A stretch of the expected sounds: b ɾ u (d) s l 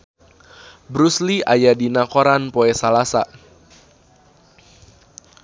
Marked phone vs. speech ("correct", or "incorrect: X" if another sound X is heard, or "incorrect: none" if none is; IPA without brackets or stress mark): incorrect: none